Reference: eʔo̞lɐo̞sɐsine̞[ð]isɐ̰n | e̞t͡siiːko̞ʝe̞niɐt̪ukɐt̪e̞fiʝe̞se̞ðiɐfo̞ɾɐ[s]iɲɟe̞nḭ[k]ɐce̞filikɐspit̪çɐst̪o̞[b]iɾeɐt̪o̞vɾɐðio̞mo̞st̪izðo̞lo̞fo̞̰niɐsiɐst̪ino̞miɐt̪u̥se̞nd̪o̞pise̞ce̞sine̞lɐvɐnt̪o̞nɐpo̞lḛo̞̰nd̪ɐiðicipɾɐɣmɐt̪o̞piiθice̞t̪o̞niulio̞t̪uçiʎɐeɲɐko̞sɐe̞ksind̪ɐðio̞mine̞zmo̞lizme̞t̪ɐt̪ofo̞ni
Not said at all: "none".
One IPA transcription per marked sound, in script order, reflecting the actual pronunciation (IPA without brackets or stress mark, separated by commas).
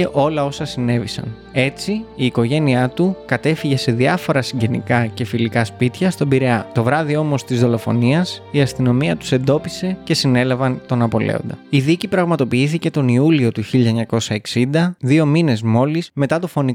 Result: v, s, k, b